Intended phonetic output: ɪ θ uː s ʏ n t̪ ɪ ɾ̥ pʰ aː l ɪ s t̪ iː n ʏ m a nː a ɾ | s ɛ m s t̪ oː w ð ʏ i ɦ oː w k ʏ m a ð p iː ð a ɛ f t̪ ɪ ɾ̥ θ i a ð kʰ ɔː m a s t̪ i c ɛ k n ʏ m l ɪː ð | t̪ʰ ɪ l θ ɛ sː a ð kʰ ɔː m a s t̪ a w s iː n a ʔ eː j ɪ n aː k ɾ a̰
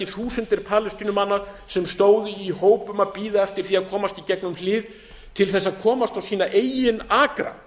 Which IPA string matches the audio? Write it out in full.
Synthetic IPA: ɪ θ uː s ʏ n t̪ ɪ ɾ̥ pʰ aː l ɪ s t̪ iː n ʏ m a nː a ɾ | s ɛ m s t̪ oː w ð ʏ i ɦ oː w p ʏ m a ð p iː ð a ɛ f t̪ ɪ ɾ̥ θ i a ð kʰ ɔː m a s t̪ i c ɛ k n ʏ m l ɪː ð | t̪ʰ ɪ l θ ɛ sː a ð kʰ ɔː m a s t̪ a w s iː n a ʔ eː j ɪ n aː k ɾ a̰